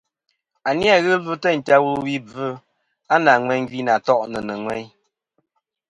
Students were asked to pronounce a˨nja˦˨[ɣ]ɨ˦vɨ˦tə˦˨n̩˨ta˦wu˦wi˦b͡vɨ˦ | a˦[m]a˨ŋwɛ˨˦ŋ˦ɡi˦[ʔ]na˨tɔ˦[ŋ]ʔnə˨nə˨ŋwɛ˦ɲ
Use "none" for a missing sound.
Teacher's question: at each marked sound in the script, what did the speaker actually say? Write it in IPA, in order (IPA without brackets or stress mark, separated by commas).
ɣ, n, none, none